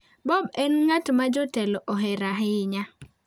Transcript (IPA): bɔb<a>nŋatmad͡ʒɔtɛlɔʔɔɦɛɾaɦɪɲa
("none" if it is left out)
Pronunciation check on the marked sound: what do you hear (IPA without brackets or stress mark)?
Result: ɛ